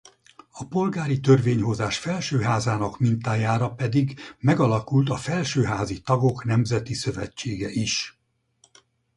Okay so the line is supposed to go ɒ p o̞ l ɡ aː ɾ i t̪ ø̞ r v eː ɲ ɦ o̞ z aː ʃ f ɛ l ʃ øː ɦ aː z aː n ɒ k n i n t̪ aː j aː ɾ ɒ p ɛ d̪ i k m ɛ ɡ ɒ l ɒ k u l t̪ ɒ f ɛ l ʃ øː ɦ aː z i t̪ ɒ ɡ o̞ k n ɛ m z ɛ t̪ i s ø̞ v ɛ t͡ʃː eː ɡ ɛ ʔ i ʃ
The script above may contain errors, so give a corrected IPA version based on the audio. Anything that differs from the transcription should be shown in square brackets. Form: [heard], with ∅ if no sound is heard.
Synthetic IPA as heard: ɒ p o̞ l ɡ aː ɾ i t̪ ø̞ r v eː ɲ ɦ o̞ z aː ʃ f ɛ l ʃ øː ɦ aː z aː n ɒ k [m] i n t̪ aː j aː ɾ ɒ p ɛ d̪ i [ɡ] m ɛ ɡ ɒ l ɒ k u l t̪ ɒ f ɛ l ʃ øː ɦ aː z i t̪ ɒ ɡ o̞ k n ɛ m z ɛ t̪ i s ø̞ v ɛ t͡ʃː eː ɡ ɛ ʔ i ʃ